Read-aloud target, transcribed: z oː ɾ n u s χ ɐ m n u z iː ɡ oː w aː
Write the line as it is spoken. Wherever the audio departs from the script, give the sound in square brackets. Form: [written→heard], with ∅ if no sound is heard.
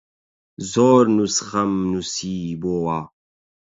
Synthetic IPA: z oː ɾ n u s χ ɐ m n u [z→s] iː [ɡ→b] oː w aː